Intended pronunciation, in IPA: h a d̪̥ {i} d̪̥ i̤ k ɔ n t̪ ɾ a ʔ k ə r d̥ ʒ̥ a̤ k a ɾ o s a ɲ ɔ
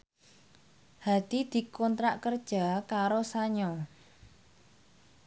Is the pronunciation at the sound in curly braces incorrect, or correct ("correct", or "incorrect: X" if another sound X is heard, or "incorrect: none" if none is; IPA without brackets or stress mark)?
correct